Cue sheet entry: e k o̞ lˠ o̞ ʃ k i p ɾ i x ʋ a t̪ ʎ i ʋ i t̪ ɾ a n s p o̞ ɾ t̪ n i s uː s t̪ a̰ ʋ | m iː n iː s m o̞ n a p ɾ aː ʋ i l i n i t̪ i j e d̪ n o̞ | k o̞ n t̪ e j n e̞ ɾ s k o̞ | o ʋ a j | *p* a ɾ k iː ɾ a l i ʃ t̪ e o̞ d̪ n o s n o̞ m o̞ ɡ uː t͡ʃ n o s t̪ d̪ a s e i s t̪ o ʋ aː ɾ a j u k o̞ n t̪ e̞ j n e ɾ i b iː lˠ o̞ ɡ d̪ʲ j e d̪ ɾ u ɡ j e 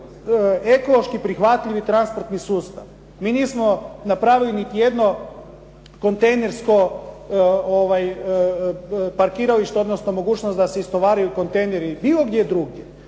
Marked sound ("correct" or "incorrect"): correct